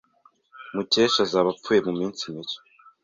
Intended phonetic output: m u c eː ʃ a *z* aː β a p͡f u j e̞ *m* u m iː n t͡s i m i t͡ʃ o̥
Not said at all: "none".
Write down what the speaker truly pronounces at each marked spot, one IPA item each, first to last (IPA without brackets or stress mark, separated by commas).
z, m